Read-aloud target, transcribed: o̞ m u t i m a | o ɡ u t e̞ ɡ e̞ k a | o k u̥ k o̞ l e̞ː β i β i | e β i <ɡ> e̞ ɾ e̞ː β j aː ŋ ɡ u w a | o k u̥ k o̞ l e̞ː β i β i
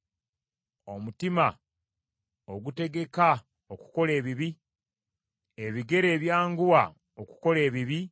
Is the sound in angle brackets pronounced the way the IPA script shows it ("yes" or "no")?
yes